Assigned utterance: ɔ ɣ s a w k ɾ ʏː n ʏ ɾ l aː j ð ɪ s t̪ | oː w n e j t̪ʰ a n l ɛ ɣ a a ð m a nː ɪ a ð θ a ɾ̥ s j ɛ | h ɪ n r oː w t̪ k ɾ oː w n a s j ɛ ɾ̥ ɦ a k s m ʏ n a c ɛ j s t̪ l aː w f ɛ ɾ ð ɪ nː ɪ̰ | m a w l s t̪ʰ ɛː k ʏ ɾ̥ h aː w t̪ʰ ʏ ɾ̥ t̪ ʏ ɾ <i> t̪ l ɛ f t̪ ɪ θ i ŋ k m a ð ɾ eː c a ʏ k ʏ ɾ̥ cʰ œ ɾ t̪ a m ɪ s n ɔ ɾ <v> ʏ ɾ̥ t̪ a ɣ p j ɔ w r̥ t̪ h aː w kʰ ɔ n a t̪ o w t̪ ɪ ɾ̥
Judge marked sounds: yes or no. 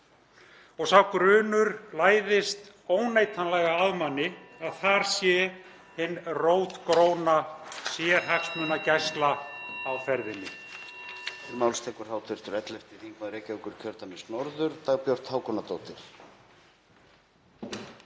no, no

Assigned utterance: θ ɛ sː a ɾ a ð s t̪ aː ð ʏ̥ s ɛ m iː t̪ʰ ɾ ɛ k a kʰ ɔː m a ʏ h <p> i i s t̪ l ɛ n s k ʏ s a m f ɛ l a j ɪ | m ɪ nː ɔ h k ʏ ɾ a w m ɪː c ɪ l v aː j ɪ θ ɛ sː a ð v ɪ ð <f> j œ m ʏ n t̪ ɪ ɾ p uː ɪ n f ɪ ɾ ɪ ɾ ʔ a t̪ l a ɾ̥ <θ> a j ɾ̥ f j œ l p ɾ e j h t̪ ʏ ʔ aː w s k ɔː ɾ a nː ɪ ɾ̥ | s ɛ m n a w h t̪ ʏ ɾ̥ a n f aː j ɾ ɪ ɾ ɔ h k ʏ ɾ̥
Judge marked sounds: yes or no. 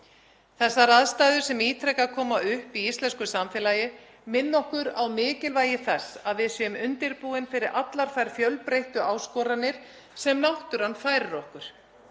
yes, no, no

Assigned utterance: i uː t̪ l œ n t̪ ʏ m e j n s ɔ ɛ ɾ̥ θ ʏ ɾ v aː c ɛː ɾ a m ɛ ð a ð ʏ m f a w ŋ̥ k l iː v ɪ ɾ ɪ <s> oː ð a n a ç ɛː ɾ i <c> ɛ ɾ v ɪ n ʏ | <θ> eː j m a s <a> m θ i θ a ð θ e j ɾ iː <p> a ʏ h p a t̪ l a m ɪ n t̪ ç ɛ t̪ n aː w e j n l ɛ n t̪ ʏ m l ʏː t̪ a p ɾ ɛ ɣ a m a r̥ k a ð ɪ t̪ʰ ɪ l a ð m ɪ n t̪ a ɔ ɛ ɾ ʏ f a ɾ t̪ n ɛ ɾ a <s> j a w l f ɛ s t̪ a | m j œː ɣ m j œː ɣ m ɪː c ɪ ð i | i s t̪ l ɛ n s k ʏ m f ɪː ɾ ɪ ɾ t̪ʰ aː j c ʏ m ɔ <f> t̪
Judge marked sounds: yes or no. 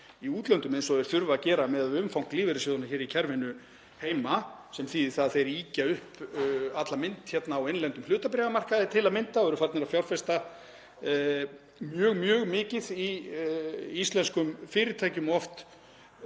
yes, no, no, no, no, no, yes

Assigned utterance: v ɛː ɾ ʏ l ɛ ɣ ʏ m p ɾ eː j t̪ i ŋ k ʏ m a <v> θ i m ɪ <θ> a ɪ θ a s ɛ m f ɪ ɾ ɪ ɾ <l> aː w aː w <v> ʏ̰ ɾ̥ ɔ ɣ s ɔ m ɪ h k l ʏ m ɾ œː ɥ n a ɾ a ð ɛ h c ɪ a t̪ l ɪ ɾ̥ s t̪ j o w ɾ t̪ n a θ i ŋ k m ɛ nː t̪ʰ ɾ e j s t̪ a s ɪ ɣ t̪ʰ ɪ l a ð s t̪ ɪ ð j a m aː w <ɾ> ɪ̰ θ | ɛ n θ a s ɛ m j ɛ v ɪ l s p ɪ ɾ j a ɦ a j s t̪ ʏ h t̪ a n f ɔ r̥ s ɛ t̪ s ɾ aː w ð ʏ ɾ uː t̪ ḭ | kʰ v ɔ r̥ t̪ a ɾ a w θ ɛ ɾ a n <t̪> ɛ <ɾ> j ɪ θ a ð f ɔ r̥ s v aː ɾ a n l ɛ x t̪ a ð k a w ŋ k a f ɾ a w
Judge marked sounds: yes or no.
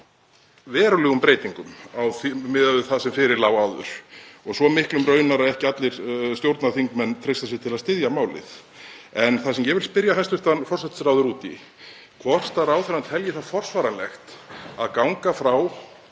no, no, yes, no, no, no, no

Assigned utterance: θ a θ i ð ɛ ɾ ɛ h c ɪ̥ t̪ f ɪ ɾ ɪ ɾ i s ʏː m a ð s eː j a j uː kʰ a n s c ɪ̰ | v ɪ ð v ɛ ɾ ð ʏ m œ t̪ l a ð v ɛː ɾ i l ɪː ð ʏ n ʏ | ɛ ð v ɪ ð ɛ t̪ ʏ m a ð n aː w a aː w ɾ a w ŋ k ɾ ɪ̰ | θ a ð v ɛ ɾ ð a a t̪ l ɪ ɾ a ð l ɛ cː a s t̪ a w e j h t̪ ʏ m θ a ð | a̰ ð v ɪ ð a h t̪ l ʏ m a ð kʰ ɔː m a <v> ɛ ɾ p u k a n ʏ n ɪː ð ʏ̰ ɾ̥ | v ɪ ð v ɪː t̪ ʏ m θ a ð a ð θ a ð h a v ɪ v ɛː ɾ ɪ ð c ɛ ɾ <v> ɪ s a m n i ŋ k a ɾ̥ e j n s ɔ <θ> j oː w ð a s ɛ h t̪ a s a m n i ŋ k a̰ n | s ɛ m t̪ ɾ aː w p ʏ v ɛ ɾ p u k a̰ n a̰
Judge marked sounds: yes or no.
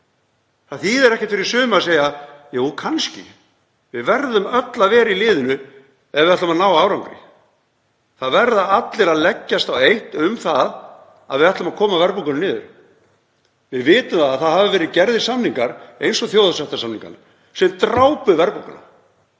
yes, no, yes

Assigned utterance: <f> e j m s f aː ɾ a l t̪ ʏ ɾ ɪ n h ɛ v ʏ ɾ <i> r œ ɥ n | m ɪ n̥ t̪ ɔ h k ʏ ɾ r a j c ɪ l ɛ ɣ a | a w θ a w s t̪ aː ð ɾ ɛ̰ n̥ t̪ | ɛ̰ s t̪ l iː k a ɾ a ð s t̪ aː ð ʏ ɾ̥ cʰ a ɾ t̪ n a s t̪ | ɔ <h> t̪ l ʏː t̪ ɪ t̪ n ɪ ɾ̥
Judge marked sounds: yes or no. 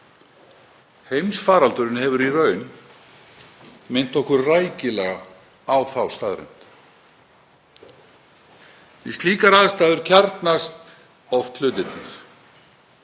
no, yes, no

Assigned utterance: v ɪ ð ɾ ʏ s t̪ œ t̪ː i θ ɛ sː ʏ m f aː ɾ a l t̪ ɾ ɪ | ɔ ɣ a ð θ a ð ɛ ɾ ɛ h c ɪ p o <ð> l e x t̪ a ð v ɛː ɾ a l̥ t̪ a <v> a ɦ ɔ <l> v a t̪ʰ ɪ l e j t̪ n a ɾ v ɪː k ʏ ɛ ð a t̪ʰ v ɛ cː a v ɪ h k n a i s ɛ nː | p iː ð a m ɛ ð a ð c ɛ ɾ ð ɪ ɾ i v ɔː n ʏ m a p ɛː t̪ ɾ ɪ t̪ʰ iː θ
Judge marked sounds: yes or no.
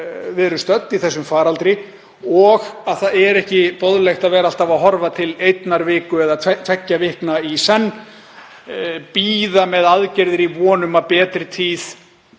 yes, yes, no

